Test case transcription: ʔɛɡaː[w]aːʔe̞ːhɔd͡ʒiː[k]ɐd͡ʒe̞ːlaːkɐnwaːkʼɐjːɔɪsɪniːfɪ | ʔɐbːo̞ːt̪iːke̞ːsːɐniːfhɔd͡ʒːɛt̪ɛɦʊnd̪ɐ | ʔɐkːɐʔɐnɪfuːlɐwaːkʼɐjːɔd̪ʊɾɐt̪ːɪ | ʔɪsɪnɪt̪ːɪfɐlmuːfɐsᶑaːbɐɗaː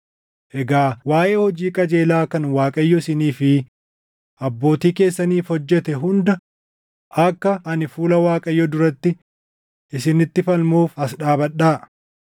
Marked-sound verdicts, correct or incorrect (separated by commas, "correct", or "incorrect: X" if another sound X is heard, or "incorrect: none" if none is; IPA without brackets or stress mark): correct, incorrect: kʼ